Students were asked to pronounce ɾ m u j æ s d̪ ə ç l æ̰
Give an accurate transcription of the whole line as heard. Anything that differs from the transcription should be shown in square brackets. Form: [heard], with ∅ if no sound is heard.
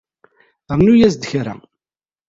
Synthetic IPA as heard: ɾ [n] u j æ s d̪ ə ç [ɾ] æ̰